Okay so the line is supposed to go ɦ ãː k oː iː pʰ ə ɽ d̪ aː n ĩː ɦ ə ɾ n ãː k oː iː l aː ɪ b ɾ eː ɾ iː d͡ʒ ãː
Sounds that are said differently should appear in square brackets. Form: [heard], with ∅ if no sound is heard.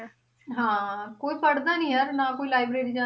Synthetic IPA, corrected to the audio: ɦ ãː k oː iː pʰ ə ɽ d̪ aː n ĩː ɦ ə ɾ n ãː k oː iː l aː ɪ b ɾ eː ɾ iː d͡ʒ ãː